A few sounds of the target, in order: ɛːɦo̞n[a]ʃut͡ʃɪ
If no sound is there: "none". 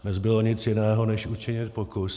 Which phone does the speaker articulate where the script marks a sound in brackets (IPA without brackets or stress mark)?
ɛ